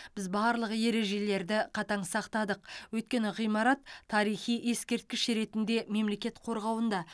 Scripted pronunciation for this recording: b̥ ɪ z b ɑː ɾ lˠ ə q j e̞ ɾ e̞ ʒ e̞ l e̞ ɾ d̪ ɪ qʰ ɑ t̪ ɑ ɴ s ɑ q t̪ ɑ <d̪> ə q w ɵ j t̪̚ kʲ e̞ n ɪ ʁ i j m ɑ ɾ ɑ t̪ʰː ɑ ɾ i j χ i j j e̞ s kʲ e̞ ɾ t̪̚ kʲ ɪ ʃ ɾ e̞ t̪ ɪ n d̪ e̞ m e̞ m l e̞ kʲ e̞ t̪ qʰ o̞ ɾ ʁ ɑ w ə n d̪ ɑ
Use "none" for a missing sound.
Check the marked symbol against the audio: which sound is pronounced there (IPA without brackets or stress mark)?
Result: d̪